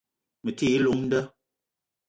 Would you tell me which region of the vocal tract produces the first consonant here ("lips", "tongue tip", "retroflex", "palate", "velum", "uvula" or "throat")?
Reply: lips